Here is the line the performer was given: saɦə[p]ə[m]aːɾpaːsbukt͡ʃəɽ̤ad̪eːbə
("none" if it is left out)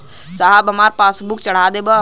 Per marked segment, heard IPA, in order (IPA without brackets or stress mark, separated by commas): b, m